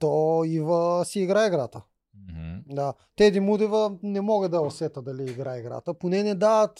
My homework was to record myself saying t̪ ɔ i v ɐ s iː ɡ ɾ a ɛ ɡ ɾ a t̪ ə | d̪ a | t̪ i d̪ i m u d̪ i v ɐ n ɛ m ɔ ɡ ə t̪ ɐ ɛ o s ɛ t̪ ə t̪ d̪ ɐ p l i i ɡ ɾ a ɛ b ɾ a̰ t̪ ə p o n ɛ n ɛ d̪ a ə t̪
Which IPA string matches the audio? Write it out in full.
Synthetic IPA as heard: t̪ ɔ i v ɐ s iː ɡ ɾ a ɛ ɡ ɾ a t̪ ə | d̪ a | t̪ ɛ d̪ i m u d̪ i v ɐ n ɛ m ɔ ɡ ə d̪ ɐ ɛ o s ɛ t̪ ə d̪ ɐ l i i ɡ ɾ a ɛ ɡ ɾ a̰ t̪ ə p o n ɛ n ɛ d̪ a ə t̪